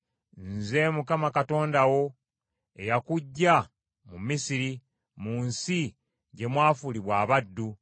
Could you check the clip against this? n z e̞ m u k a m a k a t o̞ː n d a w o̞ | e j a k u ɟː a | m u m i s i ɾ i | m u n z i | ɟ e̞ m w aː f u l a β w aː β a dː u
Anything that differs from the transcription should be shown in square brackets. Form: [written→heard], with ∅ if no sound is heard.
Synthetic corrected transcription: n z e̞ m u k a m a k a t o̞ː n d a w o̞ | e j a k u ɟː a | m u m i s i ɾ i | m u n [z→s] i | ɟ e̞ m w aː f u l [a→i] β w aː β a dː u